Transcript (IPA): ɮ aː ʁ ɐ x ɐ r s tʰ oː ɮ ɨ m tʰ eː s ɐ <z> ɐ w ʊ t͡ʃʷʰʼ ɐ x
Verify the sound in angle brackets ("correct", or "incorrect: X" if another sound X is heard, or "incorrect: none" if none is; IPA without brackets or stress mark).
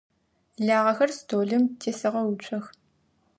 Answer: incorrect: ʁ